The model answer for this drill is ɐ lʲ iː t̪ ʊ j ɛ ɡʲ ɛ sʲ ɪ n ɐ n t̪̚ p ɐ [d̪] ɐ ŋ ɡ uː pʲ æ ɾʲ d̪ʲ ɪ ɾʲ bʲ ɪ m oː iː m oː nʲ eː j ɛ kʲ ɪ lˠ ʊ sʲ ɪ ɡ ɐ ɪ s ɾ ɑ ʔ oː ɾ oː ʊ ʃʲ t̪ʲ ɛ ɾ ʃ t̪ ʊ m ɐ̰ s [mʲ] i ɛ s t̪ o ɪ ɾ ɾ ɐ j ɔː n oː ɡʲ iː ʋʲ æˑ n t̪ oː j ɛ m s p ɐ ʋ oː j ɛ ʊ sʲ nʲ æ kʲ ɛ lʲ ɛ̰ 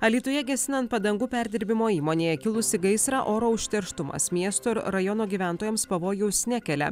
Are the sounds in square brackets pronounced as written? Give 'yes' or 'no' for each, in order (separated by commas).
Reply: yes, yes